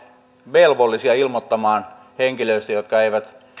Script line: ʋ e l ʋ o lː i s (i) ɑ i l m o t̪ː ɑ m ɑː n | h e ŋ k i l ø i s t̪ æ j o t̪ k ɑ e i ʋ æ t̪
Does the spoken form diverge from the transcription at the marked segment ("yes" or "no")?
no